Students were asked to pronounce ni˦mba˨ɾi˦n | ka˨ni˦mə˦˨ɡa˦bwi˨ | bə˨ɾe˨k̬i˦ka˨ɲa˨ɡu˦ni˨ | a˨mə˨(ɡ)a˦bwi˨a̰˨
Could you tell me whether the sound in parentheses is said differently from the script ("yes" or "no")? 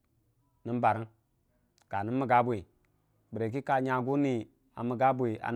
no